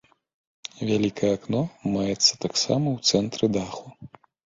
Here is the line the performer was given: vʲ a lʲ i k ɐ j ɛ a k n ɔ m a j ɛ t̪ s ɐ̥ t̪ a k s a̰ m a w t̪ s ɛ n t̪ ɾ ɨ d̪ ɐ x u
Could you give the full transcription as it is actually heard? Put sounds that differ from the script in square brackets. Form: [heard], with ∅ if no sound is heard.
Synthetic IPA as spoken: vʲ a lʲ i k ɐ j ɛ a k n ɔ m a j ɛ t̪ [sː] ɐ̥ t̪ a k s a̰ m [ɐ] w t̪ s ɛ n t̪ ɾ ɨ d̪ [a] x u